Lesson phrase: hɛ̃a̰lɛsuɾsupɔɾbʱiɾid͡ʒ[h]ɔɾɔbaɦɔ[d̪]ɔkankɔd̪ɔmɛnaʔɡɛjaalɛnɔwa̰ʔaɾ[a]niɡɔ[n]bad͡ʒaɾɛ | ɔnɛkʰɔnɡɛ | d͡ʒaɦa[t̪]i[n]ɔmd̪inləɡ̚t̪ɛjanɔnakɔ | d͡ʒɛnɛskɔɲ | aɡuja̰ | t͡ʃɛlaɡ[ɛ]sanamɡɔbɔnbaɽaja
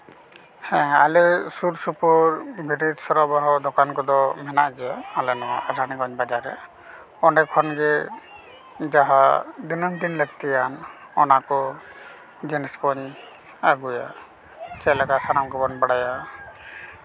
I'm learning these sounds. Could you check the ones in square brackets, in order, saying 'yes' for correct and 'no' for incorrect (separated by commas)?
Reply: no, yes, yes, no, no, yes, no